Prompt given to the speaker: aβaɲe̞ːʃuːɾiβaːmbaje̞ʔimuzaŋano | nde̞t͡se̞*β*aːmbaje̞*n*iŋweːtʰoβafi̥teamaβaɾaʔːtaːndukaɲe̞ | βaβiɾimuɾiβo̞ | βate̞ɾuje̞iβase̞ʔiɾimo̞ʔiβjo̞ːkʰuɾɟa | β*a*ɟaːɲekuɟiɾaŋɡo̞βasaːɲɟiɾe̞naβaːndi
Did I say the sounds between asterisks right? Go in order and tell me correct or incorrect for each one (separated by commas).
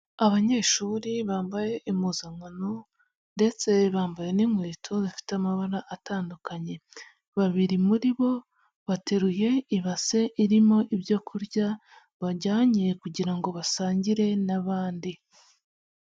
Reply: correct, correct, correct